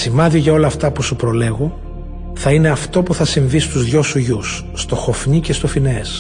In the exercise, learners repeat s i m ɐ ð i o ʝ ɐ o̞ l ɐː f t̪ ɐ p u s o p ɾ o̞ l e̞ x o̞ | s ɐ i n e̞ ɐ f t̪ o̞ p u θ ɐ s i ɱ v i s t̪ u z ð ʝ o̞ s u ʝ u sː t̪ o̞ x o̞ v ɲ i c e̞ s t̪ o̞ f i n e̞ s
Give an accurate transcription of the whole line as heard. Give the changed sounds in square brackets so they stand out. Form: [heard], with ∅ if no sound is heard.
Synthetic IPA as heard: s i m ɐ ð i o ʝ ɐ o̞ l ɐː f t̪ ɐ p u s [u] p ɾ o̞ l e̞ [ɣ] o̞ | [θ] ɐ i n e̞ ɐ f t̪ o̞ p u θ ɐ s i ɱ v i s t̪ u z ð ʝ o̞ s u ʝ u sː t̪ o̞ x o̞ [f] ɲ i c e̞ s t̪ o̞ f i n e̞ s